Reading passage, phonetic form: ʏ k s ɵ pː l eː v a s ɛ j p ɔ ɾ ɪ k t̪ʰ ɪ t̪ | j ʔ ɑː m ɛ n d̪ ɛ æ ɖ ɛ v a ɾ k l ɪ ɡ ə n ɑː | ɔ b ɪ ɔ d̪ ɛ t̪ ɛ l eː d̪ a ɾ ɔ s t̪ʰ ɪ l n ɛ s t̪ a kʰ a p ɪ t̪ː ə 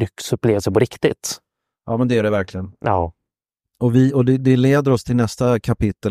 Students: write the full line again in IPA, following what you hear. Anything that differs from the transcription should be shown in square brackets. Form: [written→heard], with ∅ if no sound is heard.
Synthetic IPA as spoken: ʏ k s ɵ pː l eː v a s ɛ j p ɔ ɾ ɪ k [t̪ʰ→t̪] ɪ t̪ | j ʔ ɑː m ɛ n d̪ ɛ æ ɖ ɛ v [a→æ] ɾ k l ɪ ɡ ə n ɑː | ɔ [b→v] ɪ ɔ d̪ ɛ [t̪→d̪] ɛ l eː d̪ [a→ə] ɾ ɔ s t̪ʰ ɪ l n ɛ s t̪ a kʰ a p ɪ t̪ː ə